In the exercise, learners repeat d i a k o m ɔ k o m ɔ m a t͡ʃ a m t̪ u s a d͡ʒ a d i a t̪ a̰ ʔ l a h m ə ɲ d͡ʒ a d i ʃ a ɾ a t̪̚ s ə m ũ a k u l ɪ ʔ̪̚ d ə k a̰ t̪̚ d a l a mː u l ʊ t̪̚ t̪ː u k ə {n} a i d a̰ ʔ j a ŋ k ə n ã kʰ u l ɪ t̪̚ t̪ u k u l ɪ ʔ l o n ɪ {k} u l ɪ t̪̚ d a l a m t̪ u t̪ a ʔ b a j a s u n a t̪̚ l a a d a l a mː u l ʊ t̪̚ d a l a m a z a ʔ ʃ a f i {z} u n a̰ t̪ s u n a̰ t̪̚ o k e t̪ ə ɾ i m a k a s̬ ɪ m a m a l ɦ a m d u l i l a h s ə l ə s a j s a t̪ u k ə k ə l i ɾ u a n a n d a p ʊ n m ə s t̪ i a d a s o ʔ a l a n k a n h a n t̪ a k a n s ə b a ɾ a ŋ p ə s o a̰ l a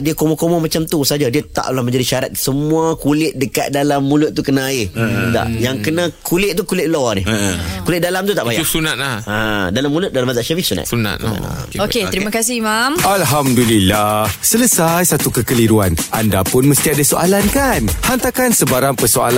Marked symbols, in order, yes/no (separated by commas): yes, yes, no